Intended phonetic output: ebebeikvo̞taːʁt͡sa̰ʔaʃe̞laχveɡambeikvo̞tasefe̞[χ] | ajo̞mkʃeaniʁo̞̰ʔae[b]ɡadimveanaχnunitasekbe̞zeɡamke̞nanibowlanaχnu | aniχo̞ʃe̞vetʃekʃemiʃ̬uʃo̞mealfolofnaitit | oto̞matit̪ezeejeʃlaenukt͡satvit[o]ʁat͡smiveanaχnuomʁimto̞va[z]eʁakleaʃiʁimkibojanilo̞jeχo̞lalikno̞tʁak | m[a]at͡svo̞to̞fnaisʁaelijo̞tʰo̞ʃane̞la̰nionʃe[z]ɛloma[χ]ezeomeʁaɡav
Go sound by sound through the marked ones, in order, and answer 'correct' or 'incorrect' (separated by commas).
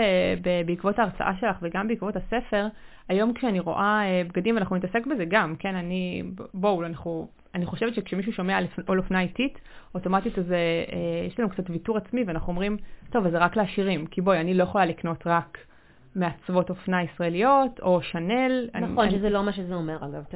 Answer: incorrect, correct, incorrect, correct, incorrect, correct, incorrect